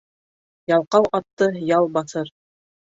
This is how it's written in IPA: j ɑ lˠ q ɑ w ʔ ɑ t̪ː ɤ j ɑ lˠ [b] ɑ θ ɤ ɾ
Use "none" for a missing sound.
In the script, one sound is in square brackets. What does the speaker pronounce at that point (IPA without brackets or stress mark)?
b